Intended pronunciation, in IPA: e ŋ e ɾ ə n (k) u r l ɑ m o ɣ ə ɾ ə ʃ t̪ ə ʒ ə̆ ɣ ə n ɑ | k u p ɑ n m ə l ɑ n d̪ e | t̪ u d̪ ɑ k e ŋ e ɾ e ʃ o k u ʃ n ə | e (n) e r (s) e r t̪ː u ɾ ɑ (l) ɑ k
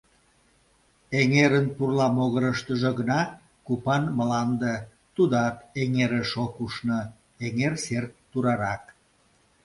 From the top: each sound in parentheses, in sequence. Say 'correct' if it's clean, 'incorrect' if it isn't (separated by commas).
incorrect, incorrect, correct, incorrect